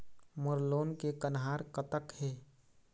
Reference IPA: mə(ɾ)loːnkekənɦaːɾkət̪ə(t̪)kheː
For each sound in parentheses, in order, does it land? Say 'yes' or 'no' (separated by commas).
yes, no